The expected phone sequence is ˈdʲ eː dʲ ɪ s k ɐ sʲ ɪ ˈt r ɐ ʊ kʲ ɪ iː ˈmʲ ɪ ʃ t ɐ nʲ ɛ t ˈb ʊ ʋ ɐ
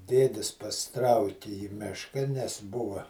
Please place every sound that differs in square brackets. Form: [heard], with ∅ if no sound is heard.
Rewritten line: ˈdʲ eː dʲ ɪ s [p] ɐ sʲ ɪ ˈt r ɐ ʊ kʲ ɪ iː ˈmʲ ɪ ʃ [k] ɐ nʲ ɛ [s] ˈb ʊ ʋ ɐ